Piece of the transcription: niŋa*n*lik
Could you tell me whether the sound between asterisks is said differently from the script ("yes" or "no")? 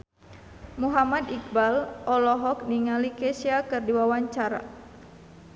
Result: yes